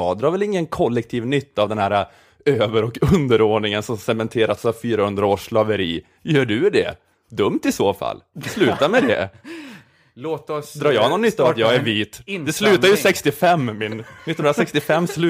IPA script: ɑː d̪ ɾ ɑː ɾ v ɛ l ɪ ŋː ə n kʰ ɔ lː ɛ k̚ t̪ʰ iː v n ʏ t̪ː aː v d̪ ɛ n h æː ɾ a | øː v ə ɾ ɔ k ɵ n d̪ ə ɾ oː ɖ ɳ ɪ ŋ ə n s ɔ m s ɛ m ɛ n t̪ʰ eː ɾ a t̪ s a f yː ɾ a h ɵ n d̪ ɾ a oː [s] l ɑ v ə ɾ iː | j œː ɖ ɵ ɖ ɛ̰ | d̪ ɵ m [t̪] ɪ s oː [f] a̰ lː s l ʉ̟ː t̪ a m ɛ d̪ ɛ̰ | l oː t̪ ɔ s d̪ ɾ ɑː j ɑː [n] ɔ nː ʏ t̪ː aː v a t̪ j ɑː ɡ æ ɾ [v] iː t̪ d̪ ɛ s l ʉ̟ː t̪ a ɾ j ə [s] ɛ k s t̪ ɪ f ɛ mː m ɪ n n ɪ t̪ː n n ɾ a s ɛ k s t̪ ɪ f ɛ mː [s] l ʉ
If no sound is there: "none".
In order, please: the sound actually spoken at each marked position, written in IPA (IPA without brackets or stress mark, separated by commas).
ʂ, t̪, f, n, v, s, s